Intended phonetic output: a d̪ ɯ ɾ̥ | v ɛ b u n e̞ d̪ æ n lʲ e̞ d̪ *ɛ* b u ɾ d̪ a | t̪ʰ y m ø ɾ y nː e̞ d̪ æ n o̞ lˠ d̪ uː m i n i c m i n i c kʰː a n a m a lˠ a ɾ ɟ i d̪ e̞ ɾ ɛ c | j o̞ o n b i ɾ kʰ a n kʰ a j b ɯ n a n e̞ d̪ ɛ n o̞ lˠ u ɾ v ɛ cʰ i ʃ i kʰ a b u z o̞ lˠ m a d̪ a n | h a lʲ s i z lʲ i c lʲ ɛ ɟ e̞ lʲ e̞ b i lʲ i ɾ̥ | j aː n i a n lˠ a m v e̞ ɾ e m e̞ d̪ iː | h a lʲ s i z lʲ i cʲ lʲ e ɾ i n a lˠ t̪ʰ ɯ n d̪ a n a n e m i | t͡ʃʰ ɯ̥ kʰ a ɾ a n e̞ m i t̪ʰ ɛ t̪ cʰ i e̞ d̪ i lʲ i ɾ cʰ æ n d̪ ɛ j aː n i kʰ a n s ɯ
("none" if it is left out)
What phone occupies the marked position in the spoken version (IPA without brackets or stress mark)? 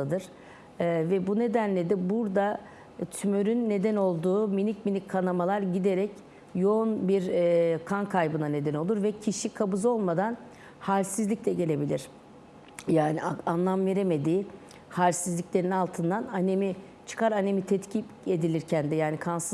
ɛ